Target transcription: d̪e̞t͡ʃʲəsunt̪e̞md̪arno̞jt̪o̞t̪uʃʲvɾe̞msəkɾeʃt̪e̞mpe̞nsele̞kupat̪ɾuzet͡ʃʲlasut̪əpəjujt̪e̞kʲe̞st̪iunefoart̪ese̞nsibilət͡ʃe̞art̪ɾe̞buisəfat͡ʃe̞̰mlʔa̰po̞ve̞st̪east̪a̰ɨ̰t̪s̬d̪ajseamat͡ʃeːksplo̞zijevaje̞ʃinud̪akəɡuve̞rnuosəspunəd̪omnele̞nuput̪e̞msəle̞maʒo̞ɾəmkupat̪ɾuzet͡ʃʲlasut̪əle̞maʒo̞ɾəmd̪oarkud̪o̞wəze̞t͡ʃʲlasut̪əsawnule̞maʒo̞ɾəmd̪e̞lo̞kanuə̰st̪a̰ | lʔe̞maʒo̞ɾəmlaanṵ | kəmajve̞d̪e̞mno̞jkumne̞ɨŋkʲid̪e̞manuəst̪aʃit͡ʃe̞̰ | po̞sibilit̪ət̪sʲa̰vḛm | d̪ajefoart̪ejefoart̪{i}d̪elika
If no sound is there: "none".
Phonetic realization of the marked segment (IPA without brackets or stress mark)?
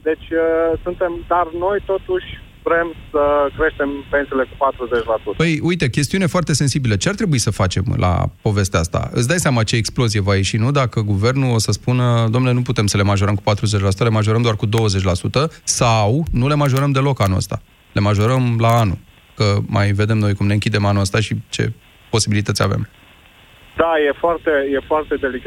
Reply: e